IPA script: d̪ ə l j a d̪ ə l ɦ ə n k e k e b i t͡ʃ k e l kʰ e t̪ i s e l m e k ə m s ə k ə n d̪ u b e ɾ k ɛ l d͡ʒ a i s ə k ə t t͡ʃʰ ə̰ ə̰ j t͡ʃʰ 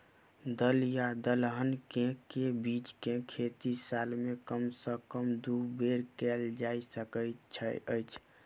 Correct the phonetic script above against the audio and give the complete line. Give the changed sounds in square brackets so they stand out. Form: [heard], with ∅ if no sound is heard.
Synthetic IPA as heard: d̪ ə l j a d̪ ə l ɦ ə n k e k e b i t͡ʃ k e [∅] kʰ e t̪ i s [a] l m e k ə m s ə k ə [m] d̪ u b e ɾ k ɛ l d͡ʒ a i s ə k ə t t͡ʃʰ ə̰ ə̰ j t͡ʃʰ